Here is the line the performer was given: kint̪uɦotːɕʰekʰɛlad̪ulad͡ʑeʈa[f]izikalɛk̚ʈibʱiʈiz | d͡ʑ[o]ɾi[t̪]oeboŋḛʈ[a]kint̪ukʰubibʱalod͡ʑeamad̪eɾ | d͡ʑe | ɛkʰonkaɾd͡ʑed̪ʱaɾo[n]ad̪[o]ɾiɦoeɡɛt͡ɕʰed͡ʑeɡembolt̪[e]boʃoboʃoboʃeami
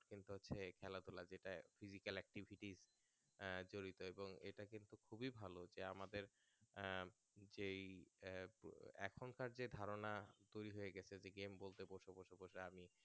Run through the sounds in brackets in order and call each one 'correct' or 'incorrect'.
correct, correct, correct, correct, correct, correct, correct

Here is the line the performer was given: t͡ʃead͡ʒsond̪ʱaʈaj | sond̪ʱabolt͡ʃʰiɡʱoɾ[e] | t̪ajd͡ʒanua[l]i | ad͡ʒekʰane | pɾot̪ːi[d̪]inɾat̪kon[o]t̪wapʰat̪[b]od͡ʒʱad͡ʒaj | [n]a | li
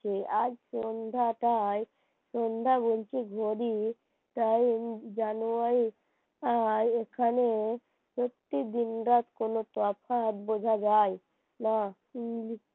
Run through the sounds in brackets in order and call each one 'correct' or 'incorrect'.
incorrect: i, incorrect: ɾ, correct, correct, correct, correct

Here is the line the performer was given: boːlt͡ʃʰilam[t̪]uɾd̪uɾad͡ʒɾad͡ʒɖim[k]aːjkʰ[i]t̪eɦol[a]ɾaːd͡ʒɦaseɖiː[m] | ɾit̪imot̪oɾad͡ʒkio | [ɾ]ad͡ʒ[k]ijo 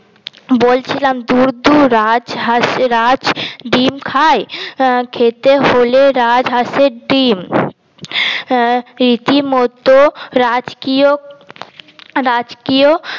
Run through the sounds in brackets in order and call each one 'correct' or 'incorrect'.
incorrect: d̪, incorrect: kʰ, incorrect: e, incorrect: e, correct, correct, correct

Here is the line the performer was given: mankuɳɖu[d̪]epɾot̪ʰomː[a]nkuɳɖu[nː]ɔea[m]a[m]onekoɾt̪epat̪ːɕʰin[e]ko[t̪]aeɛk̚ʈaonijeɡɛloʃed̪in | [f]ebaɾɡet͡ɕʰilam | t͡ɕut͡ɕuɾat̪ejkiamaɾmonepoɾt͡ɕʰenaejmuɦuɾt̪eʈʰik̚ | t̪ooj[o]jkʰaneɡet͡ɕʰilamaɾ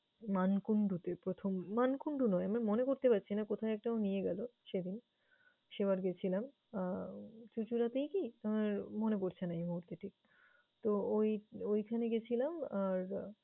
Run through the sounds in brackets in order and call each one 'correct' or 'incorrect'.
incorrect: t̪, correct, incorrect: n, correct, correct, incorrect: a, incorrect: t̪ʰ, incorrect: ʃ, correct

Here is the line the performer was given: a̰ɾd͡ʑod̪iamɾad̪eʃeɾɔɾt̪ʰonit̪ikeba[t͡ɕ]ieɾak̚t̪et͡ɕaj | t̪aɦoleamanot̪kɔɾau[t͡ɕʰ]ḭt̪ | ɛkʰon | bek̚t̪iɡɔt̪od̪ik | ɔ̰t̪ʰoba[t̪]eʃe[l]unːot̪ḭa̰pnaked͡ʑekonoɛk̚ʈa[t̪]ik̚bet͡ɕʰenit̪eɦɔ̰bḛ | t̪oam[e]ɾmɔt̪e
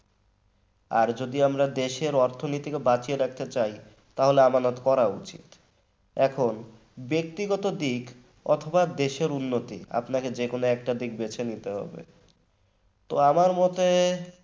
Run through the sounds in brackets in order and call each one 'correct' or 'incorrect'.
correct, incorrect: t͡ɕ, incorrect: d̪, incorrect: ɾ, incorrect: d̪, incorrect: a

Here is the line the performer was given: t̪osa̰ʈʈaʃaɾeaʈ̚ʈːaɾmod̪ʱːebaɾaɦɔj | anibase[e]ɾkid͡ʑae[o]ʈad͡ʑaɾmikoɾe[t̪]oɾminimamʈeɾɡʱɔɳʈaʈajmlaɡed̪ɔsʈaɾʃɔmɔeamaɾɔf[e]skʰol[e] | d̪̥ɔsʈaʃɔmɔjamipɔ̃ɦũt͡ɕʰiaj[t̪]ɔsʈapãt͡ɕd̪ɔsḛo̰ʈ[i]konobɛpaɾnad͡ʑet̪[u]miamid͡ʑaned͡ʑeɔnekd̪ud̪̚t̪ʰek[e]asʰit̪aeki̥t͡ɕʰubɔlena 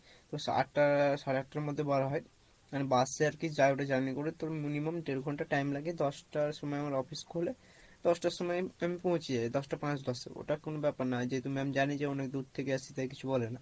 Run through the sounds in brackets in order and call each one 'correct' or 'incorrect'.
incorrect: a, correct, correct, incorrect: i, correct, incorrect: d̪, incorrect: a, correct, correct

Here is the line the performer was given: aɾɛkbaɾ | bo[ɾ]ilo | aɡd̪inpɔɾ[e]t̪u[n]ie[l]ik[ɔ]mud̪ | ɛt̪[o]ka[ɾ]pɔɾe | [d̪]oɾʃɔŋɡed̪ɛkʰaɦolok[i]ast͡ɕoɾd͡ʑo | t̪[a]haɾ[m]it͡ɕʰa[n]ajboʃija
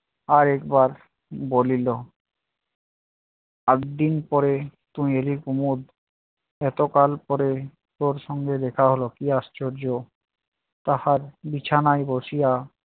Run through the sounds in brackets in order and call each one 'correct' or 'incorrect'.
incorrect: l, correct, incorrect: m, correct, incorrect: u, correct, incorrect: l, incorrect: t̪, correct, correct, incorrect: b, correct

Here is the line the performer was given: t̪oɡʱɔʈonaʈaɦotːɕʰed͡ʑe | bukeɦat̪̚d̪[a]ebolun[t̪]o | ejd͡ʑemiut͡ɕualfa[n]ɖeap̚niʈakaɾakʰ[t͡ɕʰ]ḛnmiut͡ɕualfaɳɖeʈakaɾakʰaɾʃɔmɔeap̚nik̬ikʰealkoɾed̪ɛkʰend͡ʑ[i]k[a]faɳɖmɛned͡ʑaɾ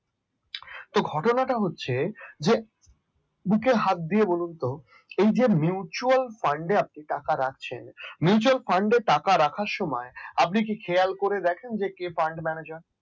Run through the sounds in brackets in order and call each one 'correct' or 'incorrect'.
incorrect: i, correct, incorrect: ɳ, correct, incorrect: e, incorrect: e

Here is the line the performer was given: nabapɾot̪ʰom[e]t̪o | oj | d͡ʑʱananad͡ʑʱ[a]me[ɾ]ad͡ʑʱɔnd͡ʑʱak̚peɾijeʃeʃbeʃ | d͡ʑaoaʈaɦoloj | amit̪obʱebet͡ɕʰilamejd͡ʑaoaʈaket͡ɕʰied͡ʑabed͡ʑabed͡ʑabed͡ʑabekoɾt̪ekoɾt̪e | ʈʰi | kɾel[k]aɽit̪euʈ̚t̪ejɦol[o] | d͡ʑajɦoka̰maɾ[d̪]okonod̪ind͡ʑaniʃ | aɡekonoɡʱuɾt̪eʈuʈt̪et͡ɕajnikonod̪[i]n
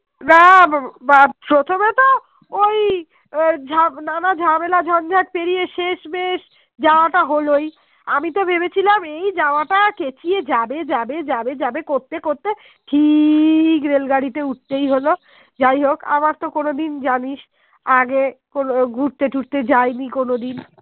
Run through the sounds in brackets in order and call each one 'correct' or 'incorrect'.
correct, correct, incorrect: l, incorrect: ɡ, correct, incorrect: t̪, correct

